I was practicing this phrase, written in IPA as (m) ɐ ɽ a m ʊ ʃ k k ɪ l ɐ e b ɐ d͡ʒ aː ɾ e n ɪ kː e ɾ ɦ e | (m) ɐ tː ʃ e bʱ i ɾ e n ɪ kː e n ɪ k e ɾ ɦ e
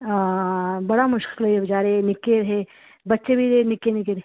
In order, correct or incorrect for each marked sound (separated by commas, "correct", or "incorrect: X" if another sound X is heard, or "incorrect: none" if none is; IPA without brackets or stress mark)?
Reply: incorrect: b, incorrect: b